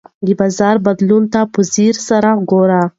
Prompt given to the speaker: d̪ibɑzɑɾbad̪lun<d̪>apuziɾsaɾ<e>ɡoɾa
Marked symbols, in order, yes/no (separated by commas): no, no